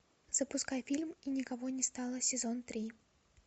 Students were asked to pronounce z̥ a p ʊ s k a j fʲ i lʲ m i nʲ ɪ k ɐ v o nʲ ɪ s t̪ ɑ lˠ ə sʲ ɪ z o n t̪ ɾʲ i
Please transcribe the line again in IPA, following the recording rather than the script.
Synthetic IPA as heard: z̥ ə p ʊ s k a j fʲ i lʲ m i nʲ ɪ k ɐ v o nʲ ɪ s t̪ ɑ lˠ ə sʲ ɪ z o n t̪ ɾʲ i